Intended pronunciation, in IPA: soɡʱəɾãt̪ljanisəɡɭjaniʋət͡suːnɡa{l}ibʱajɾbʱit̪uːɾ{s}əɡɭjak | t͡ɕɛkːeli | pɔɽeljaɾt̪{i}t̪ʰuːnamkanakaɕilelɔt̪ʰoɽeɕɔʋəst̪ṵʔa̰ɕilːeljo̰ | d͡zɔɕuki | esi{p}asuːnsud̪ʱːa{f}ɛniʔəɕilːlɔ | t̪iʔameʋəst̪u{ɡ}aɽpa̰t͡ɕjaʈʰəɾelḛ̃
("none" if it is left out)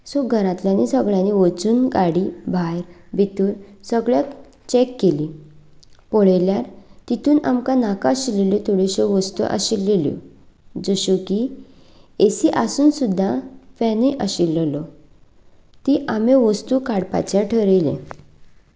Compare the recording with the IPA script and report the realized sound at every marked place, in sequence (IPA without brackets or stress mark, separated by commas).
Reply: ɽ, s, i, ʔ, f, k